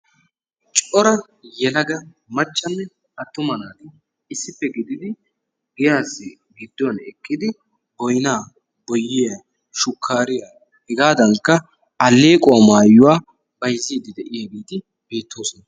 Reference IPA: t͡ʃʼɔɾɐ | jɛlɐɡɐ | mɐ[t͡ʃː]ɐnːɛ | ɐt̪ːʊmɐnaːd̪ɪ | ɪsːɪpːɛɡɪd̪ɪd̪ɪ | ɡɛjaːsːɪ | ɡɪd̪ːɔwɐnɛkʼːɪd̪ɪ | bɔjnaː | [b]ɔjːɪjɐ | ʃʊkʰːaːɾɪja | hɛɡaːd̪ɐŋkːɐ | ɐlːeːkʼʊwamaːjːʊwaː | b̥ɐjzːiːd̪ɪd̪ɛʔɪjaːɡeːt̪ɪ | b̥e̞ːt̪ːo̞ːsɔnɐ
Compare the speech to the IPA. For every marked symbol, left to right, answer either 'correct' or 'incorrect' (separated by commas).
correct, correct